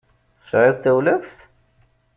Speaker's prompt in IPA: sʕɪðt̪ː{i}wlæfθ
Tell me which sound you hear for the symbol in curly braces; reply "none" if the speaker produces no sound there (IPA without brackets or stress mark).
æ